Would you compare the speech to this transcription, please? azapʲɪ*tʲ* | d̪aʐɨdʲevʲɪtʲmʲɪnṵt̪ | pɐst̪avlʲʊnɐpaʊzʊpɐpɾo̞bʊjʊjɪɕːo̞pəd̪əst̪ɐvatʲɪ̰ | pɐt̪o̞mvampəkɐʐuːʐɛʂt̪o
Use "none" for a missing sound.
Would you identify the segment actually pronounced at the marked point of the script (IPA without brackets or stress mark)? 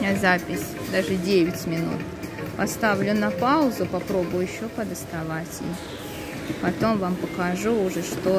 sʲ